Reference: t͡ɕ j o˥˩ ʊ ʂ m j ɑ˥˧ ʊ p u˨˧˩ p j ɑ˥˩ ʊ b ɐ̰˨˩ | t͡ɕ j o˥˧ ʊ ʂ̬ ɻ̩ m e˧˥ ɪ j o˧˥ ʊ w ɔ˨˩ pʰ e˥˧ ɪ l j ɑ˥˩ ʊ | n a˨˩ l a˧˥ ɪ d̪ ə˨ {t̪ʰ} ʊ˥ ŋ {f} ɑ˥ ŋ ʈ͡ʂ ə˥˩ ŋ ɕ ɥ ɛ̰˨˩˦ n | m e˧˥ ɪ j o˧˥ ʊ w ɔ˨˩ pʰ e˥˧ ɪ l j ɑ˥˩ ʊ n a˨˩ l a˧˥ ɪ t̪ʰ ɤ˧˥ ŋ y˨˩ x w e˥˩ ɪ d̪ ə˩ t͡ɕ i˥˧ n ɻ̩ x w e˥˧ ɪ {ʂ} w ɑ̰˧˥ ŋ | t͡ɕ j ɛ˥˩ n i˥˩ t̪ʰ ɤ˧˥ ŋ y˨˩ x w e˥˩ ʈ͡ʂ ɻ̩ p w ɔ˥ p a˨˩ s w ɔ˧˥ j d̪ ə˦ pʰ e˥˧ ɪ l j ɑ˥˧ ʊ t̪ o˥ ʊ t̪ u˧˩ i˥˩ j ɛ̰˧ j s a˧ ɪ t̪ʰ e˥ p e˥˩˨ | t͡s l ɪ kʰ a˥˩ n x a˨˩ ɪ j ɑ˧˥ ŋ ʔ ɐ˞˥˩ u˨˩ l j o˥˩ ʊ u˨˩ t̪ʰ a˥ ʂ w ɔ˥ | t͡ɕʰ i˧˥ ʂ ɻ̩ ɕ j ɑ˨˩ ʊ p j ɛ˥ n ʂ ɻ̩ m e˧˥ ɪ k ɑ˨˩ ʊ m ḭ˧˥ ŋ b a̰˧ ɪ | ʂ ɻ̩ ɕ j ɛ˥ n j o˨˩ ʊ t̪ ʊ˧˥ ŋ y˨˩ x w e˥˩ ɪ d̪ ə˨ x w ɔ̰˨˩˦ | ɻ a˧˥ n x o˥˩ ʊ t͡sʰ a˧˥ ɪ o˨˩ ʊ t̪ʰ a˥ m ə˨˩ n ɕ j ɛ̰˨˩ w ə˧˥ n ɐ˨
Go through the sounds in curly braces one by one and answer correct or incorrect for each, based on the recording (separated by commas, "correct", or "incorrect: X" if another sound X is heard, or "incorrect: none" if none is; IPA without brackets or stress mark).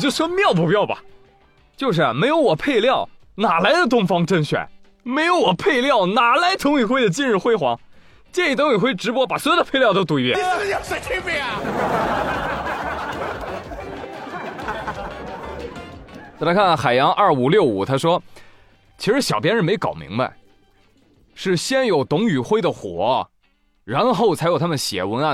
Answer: incorrect: t̪, correct, incorrect: x